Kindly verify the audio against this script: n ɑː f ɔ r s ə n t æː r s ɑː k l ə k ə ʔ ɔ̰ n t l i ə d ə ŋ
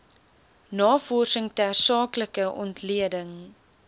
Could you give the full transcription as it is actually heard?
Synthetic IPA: n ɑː f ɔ r s ə ŋ t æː r s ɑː k l ə k ə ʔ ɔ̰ n t l i ə d ə ŋ